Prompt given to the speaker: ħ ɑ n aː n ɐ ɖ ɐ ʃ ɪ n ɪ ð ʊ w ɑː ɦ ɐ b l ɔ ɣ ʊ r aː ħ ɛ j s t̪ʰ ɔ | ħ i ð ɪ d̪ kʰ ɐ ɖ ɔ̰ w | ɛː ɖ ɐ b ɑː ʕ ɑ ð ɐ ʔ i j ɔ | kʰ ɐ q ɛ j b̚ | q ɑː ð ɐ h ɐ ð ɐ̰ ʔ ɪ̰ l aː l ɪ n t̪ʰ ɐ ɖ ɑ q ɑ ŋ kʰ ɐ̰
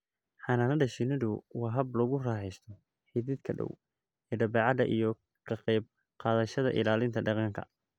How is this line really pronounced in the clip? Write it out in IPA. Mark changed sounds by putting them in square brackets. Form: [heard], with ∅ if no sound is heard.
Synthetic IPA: ħ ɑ n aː n ɐ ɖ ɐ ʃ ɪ n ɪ ð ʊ w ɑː ɦ ɐ b l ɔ ɣ ʊ r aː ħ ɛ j s t̪ʰ ɔ | ħ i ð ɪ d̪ kʰ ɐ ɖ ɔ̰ w | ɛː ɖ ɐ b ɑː ʕ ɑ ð ɐ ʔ i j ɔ | kʰ ɐ q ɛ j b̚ | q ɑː ð ɐ [ʃ] ɐ ð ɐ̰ ʔ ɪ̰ l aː l ɪ n t̪ʰ ɐ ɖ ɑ q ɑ ŋ kʰ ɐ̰